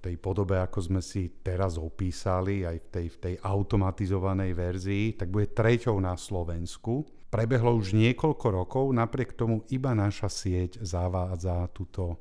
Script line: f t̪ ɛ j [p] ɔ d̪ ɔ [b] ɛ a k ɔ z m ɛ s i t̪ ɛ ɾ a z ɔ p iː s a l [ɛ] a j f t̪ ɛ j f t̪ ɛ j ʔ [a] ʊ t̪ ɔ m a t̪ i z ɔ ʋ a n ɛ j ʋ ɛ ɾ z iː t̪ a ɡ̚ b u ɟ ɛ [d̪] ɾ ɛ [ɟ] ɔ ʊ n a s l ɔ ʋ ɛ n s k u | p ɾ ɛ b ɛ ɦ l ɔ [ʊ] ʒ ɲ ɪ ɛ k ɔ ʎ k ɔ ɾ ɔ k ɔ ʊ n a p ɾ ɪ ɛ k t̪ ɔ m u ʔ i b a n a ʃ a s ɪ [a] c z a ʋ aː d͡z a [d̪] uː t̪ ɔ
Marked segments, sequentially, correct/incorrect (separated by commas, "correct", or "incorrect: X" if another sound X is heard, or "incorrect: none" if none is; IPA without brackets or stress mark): correct, correct, incorrect: i, correct, incorrect: t̪, incorrect: c, incorrect: u, incorrect: ɛ, incorrect: t̪